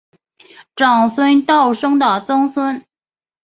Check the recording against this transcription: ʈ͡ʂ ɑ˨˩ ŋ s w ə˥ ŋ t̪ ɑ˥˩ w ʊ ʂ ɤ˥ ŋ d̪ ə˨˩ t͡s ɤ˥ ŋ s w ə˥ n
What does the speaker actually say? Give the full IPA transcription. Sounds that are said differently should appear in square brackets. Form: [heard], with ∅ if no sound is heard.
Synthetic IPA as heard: ʈ͡ʂ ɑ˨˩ ŋ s w ə˥ [n] t̪ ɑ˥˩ [∅] ʊ ʂ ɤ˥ ŋ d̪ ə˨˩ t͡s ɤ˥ ŋ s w ə˥ n